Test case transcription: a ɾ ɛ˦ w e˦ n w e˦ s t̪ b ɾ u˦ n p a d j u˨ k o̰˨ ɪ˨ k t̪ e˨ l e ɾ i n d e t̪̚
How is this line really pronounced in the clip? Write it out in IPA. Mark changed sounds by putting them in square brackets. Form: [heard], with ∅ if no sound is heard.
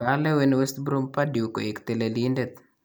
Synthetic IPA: a [l] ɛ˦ w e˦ n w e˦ s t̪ b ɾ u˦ [m] p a d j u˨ k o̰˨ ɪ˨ k t̪ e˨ l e [l] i n d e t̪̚